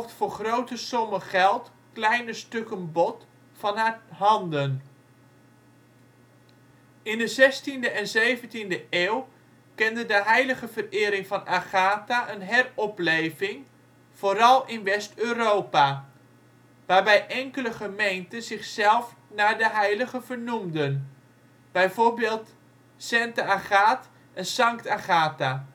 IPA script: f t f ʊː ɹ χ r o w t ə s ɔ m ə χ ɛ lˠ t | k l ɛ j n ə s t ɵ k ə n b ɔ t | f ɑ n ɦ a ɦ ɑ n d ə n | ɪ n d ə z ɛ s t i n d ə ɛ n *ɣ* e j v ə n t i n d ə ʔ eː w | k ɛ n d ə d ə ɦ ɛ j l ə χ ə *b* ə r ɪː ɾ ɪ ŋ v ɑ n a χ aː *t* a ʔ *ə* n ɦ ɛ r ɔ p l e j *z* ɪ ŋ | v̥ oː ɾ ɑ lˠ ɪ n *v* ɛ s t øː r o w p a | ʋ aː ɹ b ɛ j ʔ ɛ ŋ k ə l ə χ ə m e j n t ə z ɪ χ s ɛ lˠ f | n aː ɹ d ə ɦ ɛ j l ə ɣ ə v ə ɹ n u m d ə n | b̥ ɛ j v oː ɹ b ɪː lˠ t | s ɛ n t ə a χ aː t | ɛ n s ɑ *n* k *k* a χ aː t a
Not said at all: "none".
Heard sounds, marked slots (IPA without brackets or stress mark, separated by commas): z, v, t, ə, v, ʋ, ŋ, t